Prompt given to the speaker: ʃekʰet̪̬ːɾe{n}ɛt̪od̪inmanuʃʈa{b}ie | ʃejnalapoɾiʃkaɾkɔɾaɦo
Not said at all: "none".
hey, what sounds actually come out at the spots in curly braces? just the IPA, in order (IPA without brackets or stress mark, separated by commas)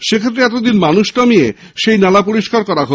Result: none, m